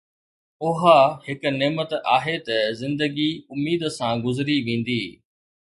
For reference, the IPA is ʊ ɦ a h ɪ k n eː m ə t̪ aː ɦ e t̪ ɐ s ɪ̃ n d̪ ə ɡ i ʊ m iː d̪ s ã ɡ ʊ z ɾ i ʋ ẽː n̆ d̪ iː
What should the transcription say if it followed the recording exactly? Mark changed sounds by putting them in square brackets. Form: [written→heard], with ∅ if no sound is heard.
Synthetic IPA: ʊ ɦ a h ɪ k n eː m ə t̪ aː ɦ e t̪ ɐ [s→z] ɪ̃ n d̪ ə ɡ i ʊ m iː d̪ s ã ɡ ʊ z ɾ i ʋ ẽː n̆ d̪ iː

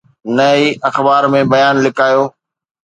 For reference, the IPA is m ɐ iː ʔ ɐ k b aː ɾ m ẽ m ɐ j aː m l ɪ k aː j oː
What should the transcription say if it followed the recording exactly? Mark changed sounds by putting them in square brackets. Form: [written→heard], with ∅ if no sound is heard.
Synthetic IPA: [m→n] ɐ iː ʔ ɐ [k→x] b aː ɾ m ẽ [m→b] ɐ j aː [m→n] l ɪ k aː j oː

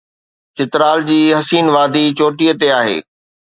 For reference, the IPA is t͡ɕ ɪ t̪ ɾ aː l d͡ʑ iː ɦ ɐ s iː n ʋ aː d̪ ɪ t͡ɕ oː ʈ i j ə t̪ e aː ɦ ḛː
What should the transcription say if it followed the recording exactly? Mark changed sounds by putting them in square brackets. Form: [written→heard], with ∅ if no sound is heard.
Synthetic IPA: t͡ɕ ɪ t̪ ɾ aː l d͡ʑ iː ɦ ɐ s iː n ʋ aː d̪ [ɪ→i] t͡ɕ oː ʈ i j ə t̪ e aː ɦ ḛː

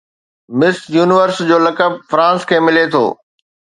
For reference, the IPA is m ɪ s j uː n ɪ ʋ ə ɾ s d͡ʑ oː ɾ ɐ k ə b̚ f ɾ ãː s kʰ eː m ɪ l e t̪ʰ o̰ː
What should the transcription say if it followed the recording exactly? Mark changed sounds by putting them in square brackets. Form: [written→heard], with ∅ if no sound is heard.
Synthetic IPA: m ɪ s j uː n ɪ ʋ ə ɾ s d͡ʑ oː [ɾ→l] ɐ k ə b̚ f ɾ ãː s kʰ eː m ɪ l e t̪ʰ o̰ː

